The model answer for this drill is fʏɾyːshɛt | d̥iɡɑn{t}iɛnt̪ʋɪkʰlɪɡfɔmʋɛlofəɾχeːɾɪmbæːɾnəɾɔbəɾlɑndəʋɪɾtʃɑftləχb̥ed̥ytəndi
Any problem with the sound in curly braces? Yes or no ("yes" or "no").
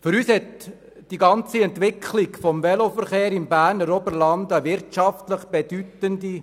yes